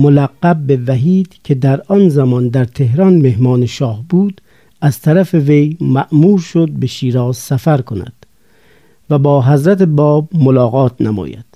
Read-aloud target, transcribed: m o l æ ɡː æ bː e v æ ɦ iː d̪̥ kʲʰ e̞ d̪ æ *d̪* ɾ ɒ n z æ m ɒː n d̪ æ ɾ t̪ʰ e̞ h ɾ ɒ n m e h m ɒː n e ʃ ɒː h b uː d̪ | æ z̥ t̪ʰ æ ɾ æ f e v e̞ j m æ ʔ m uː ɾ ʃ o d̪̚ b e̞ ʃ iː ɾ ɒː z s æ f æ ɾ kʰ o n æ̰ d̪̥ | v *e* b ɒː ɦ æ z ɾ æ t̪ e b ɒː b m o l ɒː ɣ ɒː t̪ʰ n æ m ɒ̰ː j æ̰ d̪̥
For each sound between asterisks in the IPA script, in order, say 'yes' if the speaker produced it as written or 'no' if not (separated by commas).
no, no